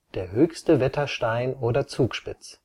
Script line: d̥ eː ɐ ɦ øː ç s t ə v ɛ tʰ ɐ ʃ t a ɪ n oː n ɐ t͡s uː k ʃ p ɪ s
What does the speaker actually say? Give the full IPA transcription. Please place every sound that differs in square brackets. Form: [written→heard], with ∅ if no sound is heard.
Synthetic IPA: d̥ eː ɐ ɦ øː ç s t ə v ɛ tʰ ɐ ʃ t a ɪ n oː [n→d] ɐ t͡s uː k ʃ p ɪ [s→t͡s]